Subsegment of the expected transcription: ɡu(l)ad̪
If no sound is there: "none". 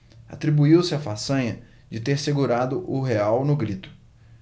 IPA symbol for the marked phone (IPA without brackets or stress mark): ɾ